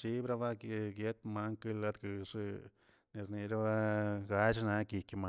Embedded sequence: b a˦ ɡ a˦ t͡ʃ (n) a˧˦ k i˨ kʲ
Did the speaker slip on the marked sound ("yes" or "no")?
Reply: no